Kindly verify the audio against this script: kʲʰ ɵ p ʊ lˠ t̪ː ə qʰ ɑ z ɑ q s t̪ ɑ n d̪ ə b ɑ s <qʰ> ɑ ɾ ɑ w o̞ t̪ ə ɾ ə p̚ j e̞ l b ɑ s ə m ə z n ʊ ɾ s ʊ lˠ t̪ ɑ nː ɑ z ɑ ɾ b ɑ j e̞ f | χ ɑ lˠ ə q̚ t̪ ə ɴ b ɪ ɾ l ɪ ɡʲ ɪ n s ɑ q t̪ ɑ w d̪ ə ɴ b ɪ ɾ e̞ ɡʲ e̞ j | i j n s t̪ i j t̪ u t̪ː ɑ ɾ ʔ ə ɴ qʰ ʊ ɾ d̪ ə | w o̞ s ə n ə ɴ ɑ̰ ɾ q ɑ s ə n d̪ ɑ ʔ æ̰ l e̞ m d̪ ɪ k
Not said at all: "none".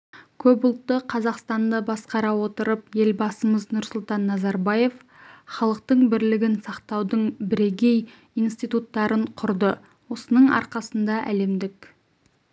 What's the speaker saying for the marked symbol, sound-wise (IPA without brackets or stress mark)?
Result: q